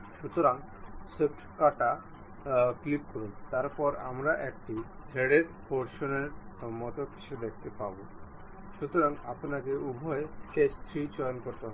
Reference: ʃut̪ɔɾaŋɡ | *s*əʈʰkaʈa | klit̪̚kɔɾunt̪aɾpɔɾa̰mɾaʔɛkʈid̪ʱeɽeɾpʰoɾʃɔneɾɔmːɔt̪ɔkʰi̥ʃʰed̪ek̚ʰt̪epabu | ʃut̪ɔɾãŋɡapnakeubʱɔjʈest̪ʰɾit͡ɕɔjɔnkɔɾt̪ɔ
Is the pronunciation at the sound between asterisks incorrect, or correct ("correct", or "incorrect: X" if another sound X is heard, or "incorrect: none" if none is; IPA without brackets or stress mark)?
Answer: correct